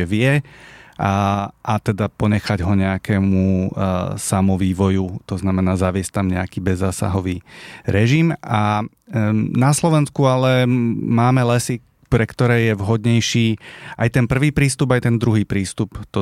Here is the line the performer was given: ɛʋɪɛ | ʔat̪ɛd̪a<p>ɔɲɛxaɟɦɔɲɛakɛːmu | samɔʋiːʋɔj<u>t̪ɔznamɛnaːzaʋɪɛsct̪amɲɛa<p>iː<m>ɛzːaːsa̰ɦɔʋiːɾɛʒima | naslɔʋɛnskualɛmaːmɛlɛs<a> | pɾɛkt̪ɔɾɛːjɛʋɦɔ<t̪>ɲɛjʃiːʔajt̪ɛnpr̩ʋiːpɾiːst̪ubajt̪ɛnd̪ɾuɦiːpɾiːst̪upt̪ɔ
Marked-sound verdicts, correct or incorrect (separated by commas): correct, correct, incorrect, incorrect, incorrect, incorrect